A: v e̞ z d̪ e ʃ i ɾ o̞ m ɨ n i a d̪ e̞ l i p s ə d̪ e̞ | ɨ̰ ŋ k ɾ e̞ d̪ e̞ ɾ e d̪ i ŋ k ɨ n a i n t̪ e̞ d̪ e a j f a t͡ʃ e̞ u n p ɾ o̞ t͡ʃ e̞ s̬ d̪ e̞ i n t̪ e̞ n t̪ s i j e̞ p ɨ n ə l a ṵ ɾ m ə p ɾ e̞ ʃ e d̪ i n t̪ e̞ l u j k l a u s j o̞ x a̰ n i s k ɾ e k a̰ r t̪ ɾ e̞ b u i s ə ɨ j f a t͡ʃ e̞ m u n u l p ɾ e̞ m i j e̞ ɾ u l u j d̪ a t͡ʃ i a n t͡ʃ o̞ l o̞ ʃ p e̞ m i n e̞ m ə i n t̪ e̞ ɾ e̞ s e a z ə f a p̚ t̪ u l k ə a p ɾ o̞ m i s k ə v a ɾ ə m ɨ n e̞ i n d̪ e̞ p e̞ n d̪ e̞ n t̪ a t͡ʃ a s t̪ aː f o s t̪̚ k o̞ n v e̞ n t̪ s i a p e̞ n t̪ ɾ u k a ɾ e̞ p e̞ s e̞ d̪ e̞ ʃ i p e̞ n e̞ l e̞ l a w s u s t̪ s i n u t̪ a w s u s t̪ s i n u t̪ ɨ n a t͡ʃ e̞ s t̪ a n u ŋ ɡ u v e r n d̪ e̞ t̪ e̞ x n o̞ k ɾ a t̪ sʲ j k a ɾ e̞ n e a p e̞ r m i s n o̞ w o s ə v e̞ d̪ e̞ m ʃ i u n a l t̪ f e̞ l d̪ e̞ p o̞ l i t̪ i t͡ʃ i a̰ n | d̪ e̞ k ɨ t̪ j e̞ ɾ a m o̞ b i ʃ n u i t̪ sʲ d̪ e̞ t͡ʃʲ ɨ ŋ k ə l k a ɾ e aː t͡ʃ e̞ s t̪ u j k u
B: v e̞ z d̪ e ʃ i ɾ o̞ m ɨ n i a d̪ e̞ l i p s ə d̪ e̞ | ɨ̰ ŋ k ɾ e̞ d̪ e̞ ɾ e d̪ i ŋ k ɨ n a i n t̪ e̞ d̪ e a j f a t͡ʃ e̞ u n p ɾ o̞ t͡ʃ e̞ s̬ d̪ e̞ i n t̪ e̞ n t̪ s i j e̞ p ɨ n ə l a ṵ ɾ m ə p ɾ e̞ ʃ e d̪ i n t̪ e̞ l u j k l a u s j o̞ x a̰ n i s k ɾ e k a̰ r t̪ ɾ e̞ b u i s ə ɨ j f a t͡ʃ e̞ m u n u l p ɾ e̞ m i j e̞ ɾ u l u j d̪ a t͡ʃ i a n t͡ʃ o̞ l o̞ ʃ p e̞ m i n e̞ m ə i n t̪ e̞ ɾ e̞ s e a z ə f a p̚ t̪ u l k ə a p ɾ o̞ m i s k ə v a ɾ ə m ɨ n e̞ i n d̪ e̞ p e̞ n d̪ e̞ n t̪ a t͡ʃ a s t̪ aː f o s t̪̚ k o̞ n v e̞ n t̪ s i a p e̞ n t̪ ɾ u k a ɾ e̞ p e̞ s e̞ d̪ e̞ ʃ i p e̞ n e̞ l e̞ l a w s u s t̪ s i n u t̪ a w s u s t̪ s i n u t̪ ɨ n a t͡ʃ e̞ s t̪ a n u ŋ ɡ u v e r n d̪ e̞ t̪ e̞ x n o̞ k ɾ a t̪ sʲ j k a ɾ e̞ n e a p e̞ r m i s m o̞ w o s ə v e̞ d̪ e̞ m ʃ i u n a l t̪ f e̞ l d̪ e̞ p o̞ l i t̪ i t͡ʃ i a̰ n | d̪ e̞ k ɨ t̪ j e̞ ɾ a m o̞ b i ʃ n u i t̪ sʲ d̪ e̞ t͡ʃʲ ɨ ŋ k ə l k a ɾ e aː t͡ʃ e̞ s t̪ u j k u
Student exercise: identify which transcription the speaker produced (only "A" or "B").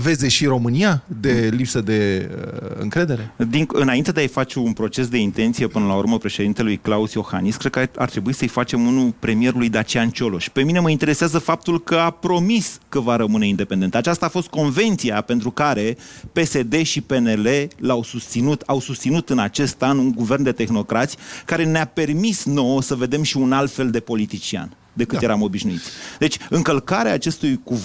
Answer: A